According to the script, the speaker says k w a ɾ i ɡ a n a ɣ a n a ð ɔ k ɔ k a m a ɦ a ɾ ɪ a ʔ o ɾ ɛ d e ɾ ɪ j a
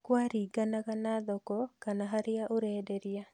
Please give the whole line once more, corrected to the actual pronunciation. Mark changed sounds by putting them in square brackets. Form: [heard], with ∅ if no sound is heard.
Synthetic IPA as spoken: k w a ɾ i ɡ a n a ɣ a n a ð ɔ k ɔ k a [n] a ɦ a ɾ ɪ a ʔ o ɾ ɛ d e ɾ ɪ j a